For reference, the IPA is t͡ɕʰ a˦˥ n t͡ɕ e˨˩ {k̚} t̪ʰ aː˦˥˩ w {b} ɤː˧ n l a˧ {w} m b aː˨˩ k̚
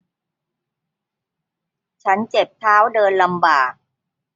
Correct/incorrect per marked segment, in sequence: incorrect: p̚, incorrect: d, incorrect: none

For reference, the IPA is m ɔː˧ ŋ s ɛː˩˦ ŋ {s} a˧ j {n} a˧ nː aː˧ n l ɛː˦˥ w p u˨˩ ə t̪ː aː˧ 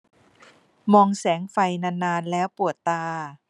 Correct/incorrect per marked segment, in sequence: incorrect: f, correct

